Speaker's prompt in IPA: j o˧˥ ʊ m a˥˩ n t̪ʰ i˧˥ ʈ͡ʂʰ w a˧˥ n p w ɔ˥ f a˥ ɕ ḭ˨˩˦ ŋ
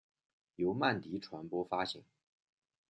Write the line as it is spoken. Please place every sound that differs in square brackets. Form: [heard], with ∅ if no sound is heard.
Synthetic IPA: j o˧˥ ʊ m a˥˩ n [t̪] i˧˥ ʈ͡ʂʰ w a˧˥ n p w ɔ˥ f a˥ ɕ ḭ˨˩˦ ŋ